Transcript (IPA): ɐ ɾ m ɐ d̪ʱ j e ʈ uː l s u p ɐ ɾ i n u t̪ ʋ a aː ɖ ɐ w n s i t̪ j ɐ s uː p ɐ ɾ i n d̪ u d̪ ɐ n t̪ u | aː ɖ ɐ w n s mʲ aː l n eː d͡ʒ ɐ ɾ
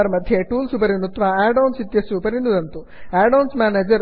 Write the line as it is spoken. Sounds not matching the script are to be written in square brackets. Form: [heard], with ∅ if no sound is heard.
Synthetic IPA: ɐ ɾ m ɐ d̪ʱ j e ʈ uː l s u p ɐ ɾ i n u t̪ ʋ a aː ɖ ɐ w n s i t̪ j ɐ s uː p ɐ ɾ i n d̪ u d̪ ɐ n t̪ u | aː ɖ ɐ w n s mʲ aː [∅] n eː d͡ʒ ɐ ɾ